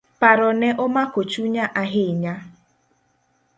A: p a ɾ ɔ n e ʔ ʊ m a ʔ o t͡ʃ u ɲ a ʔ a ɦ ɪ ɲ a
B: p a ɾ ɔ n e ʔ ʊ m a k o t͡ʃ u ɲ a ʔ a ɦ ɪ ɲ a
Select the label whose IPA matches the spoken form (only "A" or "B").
B